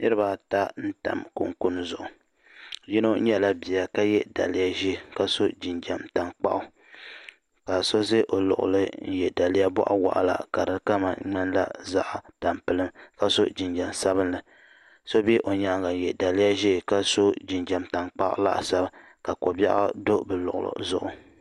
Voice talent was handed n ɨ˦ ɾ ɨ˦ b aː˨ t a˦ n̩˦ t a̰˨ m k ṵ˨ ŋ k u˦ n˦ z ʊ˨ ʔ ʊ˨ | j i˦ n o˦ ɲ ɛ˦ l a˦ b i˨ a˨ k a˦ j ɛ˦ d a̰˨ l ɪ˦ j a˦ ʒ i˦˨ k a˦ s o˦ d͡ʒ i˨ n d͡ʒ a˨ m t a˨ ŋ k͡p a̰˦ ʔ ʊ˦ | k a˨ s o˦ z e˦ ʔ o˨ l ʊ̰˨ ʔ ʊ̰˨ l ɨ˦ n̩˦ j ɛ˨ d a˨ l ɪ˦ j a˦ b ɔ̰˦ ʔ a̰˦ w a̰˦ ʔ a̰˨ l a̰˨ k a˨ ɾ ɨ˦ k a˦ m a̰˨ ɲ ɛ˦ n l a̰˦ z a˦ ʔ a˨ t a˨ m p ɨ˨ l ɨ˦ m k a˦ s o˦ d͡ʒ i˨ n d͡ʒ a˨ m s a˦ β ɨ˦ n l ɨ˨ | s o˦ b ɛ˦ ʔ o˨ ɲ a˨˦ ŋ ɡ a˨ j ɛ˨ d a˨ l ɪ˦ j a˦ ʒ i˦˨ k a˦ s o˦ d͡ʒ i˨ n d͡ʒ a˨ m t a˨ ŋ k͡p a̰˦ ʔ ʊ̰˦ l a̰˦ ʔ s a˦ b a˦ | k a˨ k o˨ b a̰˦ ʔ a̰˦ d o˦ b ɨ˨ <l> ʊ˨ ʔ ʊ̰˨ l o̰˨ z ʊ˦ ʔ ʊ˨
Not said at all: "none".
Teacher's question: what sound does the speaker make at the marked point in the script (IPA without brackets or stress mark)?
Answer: l